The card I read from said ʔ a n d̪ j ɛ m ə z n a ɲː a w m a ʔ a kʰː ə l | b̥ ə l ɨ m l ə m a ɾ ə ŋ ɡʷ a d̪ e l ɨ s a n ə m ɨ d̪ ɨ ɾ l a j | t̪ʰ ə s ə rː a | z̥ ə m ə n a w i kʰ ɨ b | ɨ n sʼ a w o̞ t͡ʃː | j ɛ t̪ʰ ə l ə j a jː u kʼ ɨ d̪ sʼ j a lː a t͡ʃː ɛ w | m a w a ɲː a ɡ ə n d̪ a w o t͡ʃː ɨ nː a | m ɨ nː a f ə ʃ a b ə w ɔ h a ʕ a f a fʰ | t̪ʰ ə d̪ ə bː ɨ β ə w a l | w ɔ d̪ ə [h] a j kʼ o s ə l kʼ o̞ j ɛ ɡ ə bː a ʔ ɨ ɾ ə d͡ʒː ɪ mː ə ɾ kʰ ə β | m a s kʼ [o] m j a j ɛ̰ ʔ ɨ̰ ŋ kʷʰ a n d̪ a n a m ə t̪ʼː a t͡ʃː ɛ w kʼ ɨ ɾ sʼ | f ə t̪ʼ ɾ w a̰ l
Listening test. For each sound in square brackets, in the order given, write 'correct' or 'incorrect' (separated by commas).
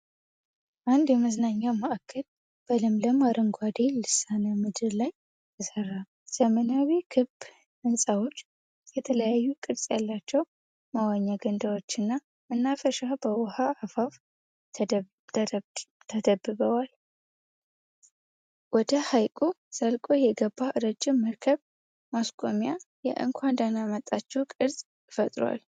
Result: correct, correct